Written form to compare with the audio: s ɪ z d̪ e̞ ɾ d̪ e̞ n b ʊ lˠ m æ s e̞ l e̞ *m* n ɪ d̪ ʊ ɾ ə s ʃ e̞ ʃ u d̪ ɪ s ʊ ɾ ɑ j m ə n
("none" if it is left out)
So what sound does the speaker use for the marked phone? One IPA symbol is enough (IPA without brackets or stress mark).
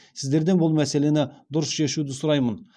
none